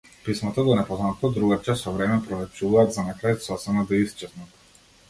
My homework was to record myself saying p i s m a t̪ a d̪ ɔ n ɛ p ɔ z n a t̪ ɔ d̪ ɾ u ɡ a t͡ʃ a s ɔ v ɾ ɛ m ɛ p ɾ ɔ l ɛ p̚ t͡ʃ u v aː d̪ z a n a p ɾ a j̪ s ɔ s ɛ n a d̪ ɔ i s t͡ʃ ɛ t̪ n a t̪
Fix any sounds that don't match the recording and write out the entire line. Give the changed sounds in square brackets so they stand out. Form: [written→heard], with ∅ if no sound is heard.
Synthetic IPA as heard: p i s m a t̪ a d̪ ɔ n ɛ p ɔ z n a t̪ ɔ d̪ ɾ u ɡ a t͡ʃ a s ɔ v ɾ ɛ m ɛ p ɾ ɔ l ɛ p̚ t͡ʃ u v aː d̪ z a n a [p→k] ɾ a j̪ s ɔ s ɛ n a d̪ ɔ i s t͡ʃ ɛ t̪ n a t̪